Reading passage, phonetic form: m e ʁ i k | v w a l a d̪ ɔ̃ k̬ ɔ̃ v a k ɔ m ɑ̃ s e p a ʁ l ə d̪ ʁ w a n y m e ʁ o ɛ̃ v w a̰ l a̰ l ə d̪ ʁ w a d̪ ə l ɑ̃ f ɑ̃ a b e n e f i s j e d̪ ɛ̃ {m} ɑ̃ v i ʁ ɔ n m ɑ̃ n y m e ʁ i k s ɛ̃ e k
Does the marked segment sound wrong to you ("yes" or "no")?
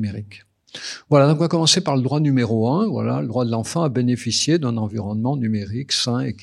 yes